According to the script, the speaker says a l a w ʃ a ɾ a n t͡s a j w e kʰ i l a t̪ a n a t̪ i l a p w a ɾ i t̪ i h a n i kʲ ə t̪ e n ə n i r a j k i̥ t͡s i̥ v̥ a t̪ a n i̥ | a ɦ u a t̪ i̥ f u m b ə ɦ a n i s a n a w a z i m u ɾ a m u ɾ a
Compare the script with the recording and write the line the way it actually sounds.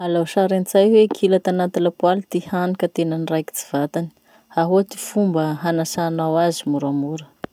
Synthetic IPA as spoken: a l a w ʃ a ɾ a n t͡s a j w e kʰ i l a t̪ a n a t̪ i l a p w a l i t̪ i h a n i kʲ ə t̪ e n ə n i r a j k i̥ t͡s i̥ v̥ a t̪ a n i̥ | a ɦ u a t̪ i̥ f u m b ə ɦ a n a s a n a w a z i m u ɾ a m u ɾ ə